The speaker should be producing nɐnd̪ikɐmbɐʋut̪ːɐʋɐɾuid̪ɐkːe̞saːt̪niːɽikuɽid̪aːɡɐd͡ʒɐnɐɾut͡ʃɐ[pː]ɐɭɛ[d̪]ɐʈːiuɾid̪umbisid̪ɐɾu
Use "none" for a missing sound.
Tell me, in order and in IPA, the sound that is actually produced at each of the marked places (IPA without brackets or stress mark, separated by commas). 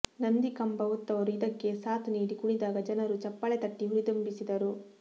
pː, t̪